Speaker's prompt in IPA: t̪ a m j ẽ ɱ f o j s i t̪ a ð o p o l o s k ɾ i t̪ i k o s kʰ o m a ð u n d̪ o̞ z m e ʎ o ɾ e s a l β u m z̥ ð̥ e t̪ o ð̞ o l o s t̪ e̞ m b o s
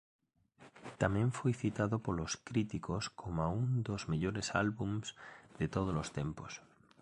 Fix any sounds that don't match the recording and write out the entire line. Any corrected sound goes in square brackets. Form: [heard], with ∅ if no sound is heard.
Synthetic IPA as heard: t̪ a m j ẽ ɱ f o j [θ] i t̪ a ð o p o l o s k ɾ i t̪ i k o s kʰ o m a [∅] u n d̪ o̞ z m e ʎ o ɾ e s a l β u m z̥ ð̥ e t̪ o ð̞ o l o s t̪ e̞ m [p] o s